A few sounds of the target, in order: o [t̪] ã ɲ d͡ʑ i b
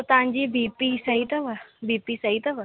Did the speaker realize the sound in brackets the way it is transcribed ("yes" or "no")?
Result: yes